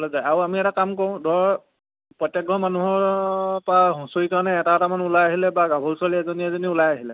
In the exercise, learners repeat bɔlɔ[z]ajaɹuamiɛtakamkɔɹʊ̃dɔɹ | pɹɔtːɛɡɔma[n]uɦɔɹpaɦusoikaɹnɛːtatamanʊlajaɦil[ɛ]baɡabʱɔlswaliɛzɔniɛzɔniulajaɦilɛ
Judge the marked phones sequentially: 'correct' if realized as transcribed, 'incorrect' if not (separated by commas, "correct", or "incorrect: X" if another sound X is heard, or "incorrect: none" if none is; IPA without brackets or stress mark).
correct, correct, correct